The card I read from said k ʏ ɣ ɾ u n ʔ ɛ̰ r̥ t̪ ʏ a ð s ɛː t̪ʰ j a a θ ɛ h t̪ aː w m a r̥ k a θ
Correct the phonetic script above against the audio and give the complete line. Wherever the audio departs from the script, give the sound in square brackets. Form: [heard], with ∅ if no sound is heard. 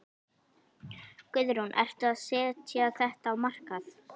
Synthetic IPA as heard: k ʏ [ð] ɾ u n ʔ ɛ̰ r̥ t̪ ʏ a ð s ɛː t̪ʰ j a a θ ɛ h t̪ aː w m a r̥ k a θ

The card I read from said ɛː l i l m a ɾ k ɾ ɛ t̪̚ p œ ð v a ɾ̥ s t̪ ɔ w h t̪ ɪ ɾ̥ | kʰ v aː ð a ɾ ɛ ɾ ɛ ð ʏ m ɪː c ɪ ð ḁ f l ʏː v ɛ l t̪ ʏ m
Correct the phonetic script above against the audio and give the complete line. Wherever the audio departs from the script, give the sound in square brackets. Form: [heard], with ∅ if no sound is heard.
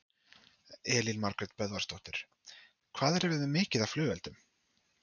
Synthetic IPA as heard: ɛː l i l m a ɾ k ɾ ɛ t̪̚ p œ ð v a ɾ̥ s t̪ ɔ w h t̪ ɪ ɾ̥ | kʰ v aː ð [ɛ] ɾ ɛ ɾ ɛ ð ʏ m ɪː c ɪ ð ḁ f l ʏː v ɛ l t̪ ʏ m

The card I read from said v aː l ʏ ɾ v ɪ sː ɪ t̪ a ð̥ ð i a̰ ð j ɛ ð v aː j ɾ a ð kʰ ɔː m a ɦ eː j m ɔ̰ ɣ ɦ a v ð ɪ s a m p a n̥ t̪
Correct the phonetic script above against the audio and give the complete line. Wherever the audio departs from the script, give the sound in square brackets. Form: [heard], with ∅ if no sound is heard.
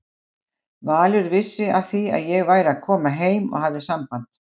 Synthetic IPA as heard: v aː l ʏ ɾ v ɪ sː ɪ [∅] a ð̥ [θ] i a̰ ð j ɛ [ɣ] v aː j ɾ a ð kʰ ɔː m a ɦ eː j m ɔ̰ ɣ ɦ a v ð ɪ s a m p a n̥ t̪

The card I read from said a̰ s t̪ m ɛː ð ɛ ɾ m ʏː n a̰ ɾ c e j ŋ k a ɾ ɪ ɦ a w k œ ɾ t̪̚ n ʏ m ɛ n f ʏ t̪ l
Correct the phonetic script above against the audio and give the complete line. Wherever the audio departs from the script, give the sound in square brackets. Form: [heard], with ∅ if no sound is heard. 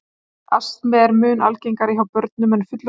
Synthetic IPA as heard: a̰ s t̪ m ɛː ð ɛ ɾ m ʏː n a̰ [l] c e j ŋ k a ɾ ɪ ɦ a w [p] œ ɾ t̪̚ n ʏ m ɛ n f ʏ t̪ l

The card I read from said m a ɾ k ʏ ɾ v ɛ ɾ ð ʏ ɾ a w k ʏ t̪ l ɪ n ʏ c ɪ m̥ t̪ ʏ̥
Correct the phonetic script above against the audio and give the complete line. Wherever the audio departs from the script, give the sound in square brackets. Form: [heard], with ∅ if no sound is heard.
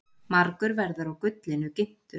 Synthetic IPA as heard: m a ɾ k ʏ ɾ v ɛ ɾ ð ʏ ɾ a w k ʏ t̪ l ɪ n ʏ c ɪ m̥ t̪ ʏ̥

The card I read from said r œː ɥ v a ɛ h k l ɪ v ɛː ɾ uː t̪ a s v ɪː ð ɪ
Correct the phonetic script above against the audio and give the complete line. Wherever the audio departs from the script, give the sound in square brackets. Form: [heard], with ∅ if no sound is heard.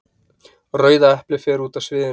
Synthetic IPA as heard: r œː ɥ [ð] a ɛ h [p] l ɪ [f] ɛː ɾ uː t̪ a s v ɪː ð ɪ

